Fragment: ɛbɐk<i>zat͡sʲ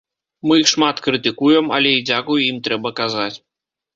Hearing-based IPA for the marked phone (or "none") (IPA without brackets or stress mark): a